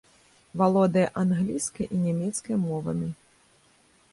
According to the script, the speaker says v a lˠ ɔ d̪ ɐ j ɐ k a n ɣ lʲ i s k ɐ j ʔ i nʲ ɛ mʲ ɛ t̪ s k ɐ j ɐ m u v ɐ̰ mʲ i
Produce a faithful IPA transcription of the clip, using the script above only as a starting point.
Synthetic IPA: v a lˠ ɔ d̪ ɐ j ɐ ʔ a n ɣ lʲ i s k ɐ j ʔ i nʲ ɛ mʲ ɛ t̪ s k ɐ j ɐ m ɔ v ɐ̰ mʲ i